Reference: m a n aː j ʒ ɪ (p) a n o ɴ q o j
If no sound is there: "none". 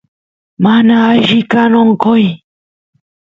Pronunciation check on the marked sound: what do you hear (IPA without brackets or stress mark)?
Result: k